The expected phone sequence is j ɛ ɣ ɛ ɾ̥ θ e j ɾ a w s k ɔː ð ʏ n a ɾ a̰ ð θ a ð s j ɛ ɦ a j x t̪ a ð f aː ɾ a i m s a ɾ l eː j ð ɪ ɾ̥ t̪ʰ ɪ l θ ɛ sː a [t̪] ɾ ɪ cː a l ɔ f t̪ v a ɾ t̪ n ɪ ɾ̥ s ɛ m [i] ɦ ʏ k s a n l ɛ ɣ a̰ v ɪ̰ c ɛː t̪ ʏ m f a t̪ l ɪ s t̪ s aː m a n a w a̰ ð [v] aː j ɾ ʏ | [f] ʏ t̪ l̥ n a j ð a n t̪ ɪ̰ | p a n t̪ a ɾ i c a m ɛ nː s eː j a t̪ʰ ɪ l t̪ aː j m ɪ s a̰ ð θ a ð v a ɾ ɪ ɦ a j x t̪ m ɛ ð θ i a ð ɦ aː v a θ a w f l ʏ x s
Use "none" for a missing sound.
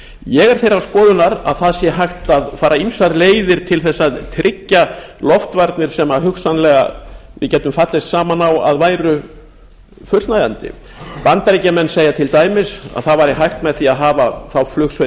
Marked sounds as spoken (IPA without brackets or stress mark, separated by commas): t̪ʰ, a, v, f